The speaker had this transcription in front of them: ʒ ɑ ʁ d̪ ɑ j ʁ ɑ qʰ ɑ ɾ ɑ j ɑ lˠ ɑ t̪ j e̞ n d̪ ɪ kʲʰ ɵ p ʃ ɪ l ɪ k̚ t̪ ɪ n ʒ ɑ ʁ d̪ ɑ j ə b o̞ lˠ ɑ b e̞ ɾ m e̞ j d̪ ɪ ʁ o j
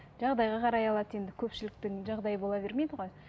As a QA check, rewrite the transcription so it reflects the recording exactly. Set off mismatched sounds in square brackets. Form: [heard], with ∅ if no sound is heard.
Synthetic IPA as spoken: ʒ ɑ ʁ d̪ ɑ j ʁ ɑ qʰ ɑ ɾ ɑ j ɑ lˠ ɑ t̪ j e̞ n d̪ ɪ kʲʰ ɵ p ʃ ɪ l ɪ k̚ t̪ ɪ [ŋ] ʒ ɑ ʁ d̪ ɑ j ə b o̞ lˠ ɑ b e̞ ɾ m e̞ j d̪ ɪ ʁ o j